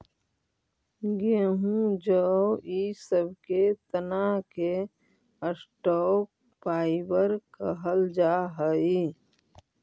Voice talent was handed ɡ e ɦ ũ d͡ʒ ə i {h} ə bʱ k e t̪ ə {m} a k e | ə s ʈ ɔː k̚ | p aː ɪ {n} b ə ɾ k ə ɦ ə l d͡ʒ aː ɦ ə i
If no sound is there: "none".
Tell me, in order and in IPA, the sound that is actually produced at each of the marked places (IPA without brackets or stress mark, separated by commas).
s, n, none